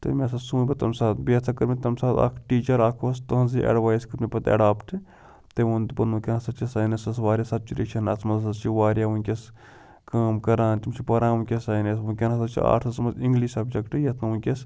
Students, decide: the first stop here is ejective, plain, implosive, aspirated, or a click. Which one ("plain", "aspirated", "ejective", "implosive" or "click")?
plain